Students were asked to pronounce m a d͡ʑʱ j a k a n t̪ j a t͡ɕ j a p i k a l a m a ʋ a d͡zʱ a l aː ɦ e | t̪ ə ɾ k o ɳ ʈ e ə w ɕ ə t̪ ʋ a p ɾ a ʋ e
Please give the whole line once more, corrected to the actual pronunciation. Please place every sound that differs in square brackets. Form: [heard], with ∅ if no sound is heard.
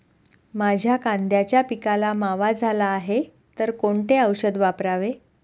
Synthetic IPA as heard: m a d͡ʑʱ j a k a n [d̪] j a t͡ɕ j a p i k a l a m a ʋ a d͡zʱ a l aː ɦ e | t̪ ə ɾ k o ɳ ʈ e ə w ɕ ə [d̪] ʋ a p ɾ a ʋ e